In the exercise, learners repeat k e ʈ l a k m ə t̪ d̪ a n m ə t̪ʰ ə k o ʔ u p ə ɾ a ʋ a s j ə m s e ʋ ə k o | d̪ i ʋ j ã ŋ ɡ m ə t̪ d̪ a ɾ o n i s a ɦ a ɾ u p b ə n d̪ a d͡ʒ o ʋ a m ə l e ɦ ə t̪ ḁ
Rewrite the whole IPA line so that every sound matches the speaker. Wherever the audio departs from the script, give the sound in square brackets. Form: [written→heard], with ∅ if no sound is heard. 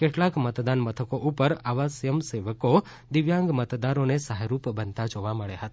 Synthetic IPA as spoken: k e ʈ l a k m ə t̪ d̪ a n m ə t̪ʰ ə k o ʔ u p ə ɾ a ʋ a s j ə m s e ʋ ə k o | d̪ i ʋ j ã ŋ ɡ m ə t̪ d̪ a ɾ o n [i→e] s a ɦ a ɾ u p b ə n [d̪→t̪] a d͡ʒ o ʋ a m ə [l→ɭ] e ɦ ə t̪ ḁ